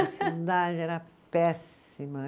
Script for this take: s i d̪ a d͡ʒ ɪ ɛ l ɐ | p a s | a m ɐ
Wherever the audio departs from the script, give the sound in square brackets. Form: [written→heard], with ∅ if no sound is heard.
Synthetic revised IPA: s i d̪ a d͡ʒ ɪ ɛ [l→ɾ] ɐ | p [a→ɛ] s | [a→i] m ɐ